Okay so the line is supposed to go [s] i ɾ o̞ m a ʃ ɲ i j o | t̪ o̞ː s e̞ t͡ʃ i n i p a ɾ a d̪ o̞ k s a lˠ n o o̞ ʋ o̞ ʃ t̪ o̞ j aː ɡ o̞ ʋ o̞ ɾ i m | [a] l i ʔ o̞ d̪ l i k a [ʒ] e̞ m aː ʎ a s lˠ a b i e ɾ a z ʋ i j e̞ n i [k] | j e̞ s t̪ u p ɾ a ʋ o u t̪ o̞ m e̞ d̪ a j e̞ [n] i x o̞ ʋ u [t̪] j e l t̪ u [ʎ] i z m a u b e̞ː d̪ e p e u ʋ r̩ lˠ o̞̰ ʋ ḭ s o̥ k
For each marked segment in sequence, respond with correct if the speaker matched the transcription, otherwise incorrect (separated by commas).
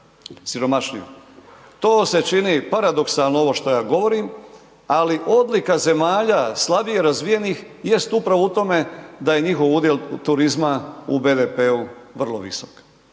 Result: correct, correct, incorrect, incorrect, incorrect, incorrect, incorrect